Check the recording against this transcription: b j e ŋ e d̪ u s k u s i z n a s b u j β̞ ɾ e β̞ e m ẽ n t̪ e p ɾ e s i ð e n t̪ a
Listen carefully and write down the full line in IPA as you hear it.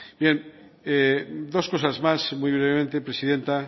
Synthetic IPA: b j e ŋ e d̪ o s k o s a z m a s m u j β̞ ɾ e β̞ e m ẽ n t̪ e p ɾ e s i ð e n t̪ a